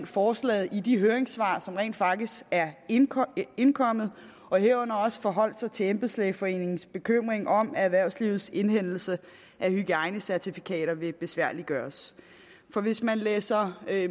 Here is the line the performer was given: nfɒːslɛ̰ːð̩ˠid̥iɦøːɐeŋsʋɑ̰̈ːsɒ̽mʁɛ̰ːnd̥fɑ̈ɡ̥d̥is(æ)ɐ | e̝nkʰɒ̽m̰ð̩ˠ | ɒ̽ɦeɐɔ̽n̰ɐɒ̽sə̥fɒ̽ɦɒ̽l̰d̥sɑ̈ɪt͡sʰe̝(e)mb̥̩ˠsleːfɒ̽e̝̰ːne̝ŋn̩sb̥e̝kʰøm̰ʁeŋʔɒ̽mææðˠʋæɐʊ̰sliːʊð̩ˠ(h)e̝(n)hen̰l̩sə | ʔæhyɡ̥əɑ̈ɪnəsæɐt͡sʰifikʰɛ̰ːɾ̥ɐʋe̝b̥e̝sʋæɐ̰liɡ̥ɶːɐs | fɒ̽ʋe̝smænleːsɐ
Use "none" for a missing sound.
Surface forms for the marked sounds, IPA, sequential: æ, e, s, n

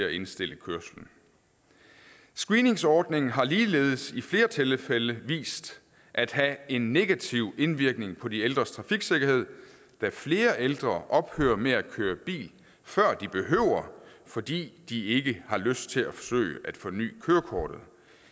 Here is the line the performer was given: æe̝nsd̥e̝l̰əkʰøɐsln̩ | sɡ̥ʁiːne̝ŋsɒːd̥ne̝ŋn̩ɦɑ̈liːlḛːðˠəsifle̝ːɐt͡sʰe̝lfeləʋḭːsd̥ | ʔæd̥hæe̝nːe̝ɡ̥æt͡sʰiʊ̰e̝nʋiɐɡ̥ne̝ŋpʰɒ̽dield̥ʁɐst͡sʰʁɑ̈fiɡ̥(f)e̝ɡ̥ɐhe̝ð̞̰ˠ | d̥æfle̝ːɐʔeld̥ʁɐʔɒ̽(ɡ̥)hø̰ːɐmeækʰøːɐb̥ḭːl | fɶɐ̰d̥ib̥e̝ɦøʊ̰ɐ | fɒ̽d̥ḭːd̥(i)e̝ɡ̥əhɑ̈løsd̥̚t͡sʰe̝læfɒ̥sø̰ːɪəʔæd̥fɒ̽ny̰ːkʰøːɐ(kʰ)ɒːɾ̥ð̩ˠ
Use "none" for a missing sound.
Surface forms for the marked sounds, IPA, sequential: s, b̥, i, kʰ

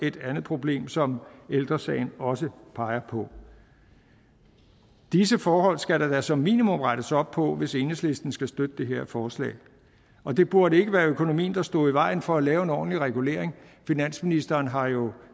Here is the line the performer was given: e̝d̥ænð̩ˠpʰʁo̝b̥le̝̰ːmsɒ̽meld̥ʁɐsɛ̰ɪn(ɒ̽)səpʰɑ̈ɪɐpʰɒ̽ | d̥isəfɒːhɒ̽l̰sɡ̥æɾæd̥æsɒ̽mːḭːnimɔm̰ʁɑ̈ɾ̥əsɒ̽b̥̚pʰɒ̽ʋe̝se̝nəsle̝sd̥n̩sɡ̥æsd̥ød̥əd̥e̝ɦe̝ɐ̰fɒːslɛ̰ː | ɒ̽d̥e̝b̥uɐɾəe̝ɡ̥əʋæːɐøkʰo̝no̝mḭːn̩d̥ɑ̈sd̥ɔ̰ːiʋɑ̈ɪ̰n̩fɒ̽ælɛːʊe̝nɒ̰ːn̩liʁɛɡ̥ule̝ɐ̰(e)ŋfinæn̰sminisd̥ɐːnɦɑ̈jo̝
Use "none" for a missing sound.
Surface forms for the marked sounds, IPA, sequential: ɒ̽, e

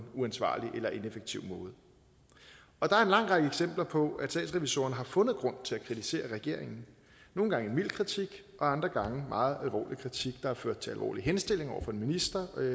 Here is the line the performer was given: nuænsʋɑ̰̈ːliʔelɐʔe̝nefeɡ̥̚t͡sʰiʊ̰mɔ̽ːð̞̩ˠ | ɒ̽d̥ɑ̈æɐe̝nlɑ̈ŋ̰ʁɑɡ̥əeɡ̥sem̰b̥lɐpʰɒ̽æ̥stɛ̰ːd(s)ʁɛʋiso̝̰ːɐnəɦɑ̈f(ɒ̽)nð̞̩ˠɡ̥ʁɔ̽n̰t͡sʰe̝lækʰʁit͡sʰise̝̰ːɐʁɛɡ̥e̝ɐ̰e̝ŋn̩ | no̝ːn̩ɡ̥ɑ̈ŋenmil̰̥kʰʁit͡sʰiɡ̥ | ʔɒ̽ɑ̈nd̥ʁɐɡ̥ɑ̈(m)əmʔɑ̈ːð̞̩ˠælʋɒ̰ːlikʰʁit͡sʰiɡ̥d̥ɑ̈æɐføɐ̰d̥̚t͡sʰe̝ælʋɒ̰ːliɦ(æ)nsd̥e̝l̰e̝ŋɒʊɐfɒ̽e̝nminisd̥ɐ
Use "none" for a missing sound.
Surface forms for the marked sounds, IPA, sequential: s, ɔ̽, ŋ, e

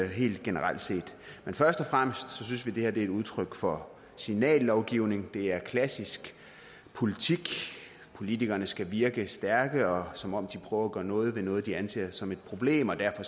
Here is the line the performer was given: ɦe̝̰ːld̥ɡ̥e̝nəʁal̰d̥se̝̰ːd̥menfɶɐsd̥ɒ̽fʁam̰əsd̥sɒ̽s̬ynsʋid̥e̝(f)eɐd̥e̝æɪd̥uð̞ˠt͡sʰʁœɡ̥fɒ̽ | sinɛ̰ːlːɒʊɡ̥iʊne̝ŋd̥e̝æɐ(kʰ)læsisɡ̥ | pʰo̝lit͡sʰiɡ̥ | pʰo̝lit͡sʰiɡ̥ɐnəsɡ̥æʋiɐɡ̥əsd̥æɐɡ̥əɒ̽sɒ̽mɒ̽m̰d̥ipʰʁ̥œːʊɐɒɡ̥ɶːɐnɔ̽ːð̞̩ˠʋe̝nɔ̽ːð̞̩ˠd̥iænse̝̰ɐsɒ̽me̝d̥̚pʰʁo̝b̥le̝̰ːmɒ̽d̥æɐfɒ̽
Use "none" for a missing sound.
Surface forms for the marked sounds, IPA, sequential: h, kʰ

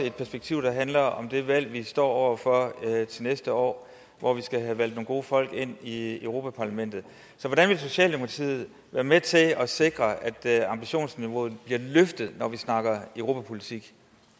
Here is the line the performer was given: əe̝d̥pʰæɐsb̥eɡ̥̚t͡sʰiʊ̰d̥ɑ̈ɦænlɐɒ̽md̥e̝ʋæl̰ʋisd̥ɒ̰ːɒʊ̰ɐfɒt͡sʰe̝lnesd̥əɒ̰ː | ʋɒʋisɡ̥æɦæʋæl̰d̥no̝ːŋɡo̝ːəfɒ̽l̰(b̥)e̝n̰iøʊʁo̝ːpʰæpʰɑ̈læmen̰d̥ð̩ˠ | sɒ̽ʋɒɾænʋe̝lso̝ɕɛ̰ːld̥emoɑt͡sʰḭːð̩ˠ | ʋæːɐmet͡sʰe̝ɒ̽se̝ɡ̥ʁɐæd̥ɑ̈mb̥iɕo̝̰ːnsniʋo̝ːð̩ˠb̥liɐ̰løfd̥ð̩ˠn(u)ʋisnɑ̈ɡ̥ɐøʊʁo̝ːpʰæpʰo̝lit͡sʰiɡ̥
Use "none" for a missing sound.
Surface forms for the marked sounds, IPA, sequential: ɡ̥, ɒ

